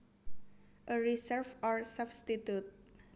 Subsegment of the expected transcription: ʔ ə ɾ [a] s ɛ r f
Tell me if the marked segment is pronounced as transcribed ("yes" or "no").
no